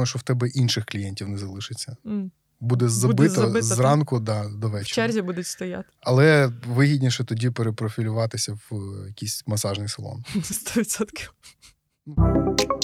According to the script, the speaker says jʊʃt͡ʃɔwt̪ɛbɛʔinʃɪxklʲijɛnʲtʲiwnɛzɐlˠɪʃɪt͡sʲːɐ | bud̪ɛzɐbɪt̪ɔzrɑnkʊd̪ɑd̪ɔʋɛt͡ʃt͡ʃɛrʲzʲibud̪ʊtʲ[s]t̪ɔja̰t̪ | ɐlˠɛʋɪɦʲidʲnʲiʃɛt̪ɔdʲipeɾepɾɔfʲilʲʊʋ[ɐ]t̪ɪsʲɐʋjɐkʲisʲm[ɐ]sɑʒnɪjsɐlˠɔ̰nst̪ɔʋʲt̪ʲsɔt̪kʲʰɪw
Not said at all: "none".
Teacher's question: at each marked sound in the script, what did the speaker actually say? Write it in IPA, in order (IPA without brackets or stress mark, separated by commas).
s, ɑ, ɐ